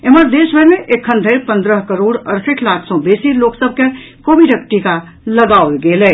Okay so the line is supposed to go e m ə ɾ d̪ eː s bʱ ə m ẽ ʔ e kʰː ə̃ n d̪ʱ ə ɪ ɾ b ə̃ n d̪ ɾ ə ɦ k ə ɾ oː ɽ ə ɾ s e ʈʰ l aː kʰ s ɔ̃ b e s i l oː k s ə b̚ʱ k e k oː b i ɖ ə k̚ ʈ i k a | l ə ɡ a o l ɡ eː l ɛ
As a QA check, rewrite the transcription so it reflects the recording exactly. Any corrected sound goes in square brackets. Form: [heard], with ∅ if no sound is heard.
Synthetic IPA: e m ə ɾ d̪ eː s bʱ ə m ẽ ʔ e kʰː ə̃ n d̪ʱ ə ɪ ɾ [p] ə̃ n d̪ ɾ ə ɦ k ə ɾ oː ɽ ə ɾ s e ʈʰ l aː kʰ s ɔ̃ b e s i l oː k s ə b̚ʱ k e k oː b i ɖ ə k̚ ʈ i k a | l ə ɡ a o l ɡ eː l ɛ